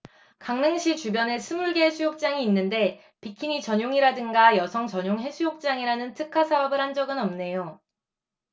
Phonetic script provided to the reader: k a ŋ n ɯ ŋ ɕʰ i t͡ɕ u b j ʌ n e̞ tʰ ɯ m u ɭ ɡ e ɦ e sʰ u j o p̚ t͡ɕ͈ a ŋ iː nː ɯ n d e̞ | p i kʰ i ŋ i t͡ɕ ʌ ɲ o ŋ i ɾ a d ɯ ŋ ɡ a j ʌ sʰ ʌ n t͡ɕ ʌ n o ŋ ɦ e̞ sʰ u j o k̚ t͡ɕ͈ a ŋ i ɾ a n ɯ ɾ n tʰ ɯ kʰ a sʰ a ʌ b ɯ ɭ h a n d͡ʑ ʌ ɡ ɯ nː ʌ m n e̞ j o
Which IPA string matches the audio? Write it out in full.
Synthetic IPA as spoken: k a ŋ n ɯ ŋ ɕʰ i t͡ɕ u b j ʌ n e̞ sʰ ɯ m u ɭ ɡ e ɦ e sʰ u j o k̚ t͡ɕ͈ a ŋ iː nː ɯ n d e̞ | p i kʰ i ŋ i t͡ɕ ʌ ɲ o ŋ i ɾ a d ɯ ŋ ɡ a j ʌ sʰ ʌ ŋ t͡ɕ ʌ ɲ o ŋ ɦ e̞ sʰ u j o k̚ t͡ɕ͈ a ŋ i ɾ a n ɯ n tʰ ɯ kʰ a sʰ a ʌ b ɯ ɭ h a n d͡ʑ ʌ ɡ ɯ n ʌ m n e̞ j o

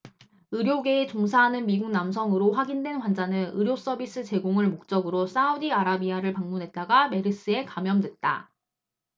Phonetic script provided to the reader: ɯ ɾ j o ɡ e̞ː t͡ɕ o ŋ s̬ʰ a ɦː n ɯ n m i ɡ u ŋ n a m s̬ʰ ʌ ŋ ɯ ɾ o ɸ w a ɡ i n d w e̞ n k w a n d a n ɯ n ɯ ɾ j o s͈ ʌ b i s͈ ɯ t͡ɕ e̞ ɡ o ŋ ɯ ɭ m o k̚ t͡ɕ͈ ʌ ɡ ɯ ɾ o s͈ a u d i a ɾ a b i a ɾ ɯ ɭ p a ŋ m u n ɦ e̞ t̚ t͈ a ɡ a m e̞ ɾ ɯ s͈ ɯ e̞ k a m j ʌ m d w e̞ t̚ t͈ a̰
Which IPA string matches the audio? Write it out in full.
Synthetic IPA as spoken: ɯ ɾ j o ɡ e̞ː t͡ɕ o ŋ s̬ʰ a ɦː n ɯ n m i ɡ u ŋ n a m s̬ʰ ʌ ŋ ɯ ɾ o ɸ w a ɡ i n d w e̞ n k w a n d͡ʑ a n ɯ n ɯ ɾ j o s͈ ʌ b i s͈ ɯ t͡ɕ e̞ ɡ o ŋ ɯ ɭ m o k̚ t͡ɕ͈ ʌ ɡ ɯ ɾ o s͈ a u d i a ɾ a b i a ɾ ɯ ɭ p a ŋ m u n ɦ e̞ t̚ t͈ a ɡ a m e̞ ɾ ɯ s͈ ɯ e̞ k a m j ʌ m d w e̞ t̚ t͈ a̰

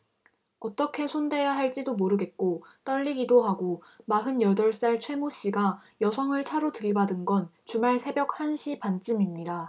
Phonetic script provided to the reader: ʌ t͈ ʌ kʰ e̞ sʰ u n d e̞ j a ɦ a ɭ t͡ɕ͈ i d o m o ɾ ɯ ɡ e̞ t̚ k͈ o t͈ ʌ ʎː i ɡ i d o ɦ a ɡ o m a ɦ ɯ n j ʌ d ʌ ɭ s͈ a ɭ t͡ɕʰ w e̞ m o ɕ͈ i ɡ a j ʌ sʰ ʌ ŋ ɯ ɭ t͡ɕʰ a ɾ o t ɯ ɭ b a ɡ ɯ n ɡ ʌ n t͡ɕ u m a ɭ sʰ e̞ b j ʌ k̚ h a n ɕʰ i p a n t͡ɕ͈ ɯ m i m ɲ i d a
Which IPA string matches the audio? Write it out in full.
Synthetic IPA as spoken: ʌ t͈ ʌ kʰ e̞ sʰ o n d e̞ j a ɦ a ɭ t͡ɕ͈ i d o m o ɾ ɯ ɡ e̞ t̚ k͈ o t͈ ʌ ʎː i ɡ i d o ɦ a ɡ o m a ɦ ɯ n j ʌ d ʌ ɭ s͈ a ɭ t͡ɕʰ w e̞ m o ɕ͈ i ɡ a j ʌ sʰ ʌ ŋ ɯ ɭ t͡ɕʰ a ɾ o t ɯ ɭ b a d ɯ n ɡ ʌ n t͡ɕ u m a ɭ sʰ e̞ b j ʌ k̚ h a n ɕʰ i p a n t͡ɕ͈ ɯ m i m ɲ i d a

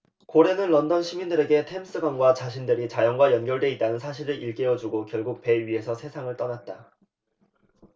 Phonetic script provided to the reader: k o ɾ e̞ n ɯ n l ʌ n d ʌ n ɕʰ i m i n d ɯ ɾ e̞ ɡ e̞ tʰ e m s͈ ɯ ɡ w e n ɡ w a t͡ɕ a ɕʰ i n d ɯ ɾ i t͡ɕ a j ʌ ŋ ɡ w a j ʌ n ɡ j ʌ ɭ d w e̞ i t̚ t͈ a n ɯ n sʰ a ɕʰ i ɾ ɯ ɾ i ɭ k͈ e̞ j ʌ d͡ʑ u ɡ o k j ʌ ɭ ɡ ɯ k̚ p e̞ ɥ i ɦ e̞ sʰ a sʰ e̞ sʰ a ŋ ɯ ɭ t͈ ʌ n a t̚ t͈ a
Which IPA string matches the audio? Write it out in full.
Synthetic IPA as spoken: k o ɾ e̞ n ɯ n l ʌ n d ʌ n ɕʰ i m i n d ɯ ɾ e̞ ɡ e̞ tʰ e m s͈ ɯ ɡ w a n ɡ w a t͡ɕ a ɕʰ i n d ɯ ɾ i t͡ɕ a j ʌ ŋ ɡ w a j ʌ n ɡ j ʌ ɭ d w e̞ i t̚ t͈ a n ɯ n sʰ a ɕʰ i ɾ ɯ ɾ i ɭ k͈ e̞ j ʌ d͡ʑ u ɡ o k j ʌ ɭ ɡ u k̚ p e̞ ɥ i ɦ e̞ sʰ ʌ sʰ e̞ sʰ a ŋ ɯ ɭ t͈ ʌ n a t̚ t͈ a

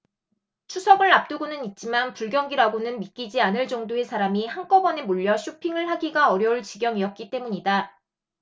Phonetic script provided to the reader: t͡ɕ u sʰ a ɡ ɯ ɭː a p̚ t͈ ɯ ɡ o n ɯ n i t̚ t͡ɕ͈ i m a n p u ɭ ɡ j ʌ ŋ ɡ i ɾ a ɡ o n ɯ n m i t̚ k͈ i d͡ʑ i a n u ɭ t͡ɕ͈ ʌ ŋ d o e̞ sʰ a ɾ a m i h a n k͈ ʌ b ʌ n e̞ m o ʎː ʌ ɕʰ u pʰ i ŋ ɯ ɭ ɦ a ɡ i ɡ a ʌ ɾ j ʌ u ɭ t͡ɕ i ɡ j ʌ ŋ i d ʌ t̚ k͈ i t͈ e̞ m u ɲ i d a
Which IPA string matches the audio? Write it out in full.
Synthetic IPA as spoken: t͡ɕʰ u sʰ ʌ ɡ ɯ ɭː a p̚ t͈ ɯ ɡ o n ɯ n i t̚ t͡ɕ͈ i m a n p u ɭ ɡ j ʌ ŋ ɡ i ɾ a ɡ o n ɯ n m i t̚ k͈ i d͡ʑ i a n ɯ ɭ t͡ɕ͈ ʌ ŋ d o e̞ sʰ a ɾ a m i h a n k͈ ʌ b ʌ n e̞ m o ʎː ʌ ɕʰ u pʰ i ŋ ɯ ɭ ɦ a ɡ i ɡ a ʌ ɾ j ʌ u ɭ t͡ɕ i ɡ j ʌ ŋ i ʌ t̚ k͈ i t͈ e̞ m u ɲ i d a

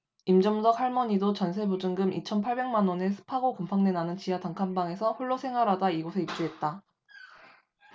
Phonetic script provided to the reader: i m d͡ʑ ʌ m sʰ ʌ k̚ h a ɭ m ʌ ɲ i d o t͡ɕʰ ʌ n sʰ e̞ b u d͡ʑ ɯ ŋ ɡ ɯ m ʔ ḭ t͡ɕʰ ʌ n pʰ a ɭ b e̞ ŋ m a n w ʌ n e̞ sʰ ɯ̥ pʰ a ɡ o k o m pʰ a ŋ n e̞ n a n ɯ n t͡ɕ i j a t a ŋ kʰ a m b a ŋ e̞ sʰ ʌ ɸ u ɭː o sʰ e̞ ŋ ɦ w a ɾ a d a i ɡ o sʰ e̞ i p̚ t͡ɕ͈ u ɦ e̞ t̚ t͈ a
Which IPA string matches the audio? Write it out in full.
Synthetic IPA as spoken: i m d͡ʑ ʌ m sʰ ʌ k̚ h a ɭ m ʌ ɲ i d o t͡ɕ ʌ n sʰ e̞ b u d͡ʑ ɯ ŋ ɡ ɯ m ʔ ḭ t͡ɕʰ ʌ n pʰ a ɭ b e̞ ŋ m a n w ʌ n e̞ sʰ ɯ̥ pʰ a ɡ o k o m pʰ a ŋ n e̞ n a n ɯ n t͡ɕ i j a t a ŋ kʰ a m b a ŋ e̞ sʰ ʌ ɸ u ɭː o sʰ e̞ ŋ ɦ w a ɾ a d a i ɡ o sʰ e̞ i p̚ t͡ɕ͈ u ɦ e̞ t̚ t͈ a

